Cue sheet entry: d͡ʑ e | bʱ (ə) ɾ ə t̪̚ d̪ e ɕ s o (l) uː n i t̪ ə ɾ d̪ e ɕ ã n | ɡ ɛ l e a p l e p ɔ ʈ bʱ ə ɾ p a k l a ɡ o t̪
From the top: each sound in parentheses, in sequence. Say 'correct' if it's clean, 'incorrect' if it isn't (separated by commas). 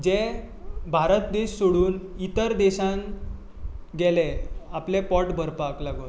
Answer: incorrect, incorrect